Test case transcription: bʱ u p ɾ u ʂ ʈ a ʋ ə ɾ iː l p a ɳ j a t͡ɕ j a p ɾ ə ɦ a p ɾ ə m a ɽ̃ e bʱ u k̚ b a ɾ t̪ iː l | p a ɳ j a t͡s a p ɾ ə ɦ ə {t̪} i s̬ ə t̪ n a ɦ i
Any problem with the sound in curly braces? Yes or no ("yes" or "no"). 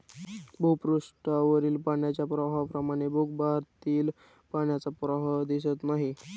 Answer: yes